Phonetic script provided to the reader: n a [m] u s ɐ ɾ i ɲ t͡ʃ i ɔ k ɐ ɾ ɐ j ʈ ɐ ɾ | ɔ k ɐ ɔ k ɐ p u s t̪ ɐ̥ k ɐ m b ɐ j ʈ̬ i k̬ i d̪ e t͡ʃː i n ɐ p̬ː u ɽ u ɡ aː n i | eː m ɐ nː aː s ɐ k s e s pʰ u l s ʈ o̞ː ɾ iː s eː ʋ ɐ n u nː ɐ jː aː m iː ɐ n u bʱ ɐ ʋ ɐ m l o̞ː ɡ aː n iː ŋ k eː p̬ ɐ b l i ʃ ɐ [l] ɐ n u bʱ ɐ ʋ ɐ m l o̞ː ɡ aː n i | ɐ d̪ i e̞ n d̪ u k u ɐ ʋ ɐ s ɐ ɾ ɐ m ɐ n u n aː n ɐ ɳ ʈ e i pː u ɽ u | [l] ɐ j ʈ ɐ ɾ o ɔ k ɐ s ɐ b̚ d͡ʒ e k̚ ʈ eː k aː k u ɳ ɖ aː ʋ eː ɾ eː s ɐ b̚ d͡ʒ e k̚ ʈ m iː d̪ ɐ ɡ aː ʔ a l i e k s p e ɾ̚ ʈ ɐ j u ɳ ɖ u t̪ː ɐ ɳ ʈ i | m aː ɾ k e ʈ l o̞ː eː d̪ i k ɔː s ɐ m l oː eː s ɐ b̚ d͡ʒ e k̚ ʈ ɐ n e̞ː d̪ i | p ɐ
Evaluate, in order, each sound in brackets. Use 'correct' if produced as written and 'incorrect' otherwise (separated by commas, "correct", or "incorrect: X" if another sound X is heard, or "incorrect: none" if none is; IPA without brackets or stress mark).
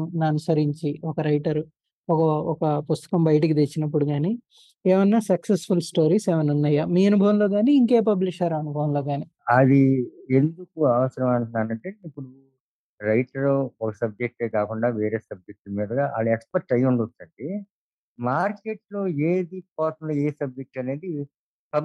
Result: incorrect: n, incorrect: ɾ, incorrect: ɾ